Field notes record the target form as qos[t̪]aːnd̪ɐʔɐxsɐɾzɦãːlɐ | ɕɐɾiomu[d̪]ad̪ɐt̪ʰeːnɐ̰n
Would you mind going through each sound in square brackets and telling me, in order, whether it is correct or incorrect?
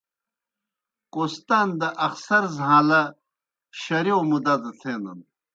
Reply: correct, correct

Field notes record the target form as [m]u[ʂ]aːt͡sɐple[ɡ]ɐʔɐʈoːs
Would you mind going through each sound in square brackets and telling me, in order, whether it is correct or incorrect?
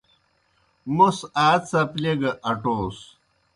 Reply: correct, incorrect, correct

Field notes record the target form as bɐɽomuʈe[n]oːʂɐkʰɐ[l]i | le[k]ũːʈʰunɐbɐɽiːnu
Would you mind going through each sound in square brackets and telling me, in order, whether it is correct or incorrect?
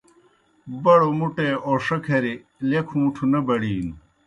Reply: incorrect, incorrect, incorrect

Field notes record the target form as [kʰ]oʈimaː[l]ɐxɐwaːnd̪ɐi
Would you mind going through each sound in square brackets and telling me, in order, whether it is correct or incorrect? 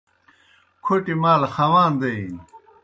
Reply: correct, correct

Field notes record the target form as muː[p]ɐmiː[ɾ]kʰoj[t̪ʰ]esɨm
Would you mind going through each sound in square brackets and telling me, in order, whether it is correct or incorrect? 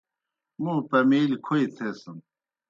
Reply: correct, incorrect, correct

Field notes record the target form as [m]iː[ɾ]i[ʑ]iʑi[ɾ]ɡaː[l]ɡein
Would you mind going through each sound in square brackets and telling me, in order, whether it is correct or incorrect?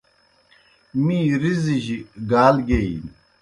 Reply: correct, correct, incorrect, incorrect, correct

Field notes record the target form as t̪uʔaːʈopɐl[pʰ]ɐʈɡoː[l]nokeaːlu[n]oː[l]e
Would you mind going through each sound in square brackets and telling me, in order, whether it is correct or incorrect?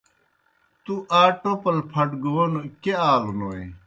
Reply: correct, incorrect, correct, incorrect

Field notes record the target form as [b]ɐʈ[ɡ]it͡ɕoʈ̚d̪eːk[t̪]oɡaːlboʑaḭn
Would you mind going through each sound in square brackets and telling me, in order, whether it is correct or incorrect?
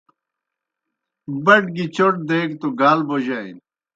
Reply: correct, correct, correct

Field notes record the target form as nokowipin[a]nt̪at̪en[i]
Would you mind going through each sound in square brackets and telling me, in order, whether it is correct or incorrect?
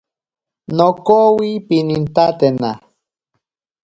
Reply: incorrect, incorrect

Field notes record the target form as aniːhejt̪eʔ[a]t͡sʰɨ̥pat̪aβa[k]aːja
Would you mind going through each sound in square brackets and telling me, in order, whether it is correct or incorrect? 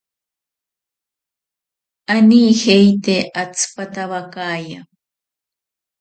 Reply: correct, correct

